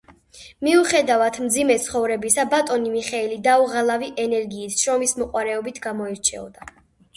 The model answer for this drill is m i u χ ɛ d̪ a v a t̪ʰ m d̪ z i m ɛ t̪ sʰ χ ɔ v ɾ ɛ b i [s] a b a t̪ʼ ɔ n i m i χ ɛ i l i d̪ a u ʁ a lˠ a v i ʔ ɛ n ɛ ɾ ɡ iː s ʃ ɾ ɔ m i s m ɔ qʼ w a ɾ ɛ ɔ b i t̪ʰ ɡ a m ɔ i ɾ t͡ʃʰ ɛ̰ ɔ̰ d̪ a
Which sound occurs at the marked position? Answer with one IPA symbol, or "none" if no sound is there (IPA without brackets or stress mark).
s